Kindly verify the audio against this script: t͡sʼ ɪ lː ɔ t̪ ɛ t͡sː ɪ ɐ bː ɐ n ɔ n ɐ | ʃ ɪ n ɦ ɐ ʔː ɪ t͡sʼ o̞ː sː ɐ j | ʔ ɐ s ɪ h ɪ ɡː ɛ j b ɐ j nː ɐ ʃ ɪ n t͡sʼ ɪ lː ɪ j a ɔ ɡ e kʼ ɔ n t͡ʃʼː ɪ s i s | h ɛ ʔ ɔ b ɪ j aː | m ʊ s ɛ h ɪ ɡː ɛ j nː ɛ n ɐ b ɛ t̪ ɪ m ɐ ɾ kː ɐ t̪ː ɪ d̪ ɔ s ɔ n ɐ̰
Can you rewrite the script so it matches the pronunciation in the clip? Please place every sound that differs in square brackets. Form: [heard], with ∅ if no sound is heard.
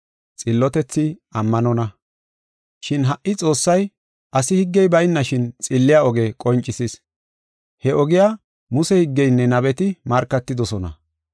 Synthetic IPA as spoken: t͡sʼ ɪ lː ɔ t̪ ɛ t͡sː ɪ ɐ [mː] ɐ n ɔ n ɐ | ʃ ɪ n ɦ ɐ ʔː ɪ t͡sʼ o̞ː sː ɐ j | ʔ ɐ s ɪ h ɪ ɡː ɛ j b ɐ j nː ɐ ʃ ɪ n t͡sʼ ɪ lː ɪ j a ɔ ɡ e kʼ ɔ n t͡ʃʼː ɪ s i s | h ɛ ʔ ɔ [ɡ] ɪ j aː | m ʊ s ɛ h ɪ ɡː ɛ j nː ɛ n ɐ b ɛ t̪ ɪ m ɐ ɾ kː ɐ t̪ː ɪ d̪ ɔ s ɔ n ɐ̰